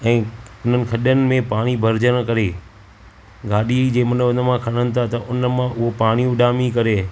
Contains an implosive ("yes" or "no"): yes